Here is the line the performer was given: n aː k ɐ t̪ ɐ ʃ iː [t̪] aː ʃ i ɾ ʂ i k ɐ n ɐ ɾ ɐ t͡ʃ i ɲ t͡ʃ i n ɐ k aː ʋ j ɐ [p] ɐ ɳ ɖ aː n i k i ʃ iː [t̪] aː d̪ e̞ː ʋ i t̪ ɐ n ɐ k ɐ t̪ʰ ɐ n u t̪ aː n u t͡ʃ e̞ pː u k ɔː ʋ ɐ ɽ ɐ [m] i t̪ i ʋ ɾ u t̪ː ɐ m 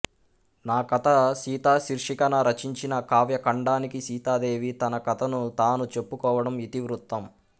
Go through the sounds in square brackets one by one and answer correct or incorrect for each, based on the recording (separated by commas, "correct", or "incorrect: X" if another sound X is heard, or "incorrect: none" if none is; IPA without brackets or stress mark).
correct, incorrect: k, correct, correct